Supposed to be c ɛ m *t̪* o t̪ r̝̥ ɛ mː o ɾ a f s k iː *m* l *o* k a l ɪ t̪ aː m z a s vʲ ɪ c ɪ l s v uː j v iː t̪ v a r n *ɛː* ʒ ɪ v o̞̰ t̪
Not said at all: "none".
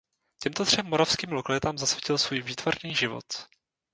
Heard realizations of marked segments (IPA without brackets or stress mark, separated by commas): t̪, m, o, iː